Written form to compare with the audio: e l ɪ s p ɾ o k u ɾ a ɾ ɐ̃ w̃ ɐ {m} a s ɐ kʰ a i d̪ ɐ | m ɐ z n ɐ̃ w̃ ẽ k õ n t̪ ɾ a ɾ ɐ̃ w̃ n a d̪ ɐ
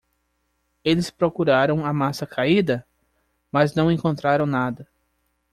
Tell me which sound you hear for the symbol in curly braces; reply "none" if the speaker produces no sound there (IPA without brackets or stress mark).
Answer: m